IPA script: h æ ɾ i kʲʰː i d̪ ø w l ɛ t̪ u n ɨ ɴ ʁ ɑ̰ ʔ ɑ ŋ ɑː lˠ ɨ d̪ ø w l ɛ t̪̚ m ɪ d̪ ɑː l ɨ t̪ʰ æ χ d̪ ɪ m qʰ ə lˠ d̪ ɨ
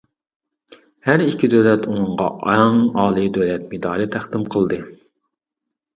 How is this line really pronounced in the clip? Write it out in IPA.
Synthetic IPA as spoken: h æ ɾ i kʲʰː i d̪ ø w l ɛ t̪ u n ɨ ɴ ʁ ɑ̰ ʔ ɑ ŋ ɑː lˠ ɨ d̪ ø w l ɛ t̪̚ m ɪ d̪ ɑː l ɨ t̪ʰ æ χ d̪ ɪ m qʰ ə lˠ d̪ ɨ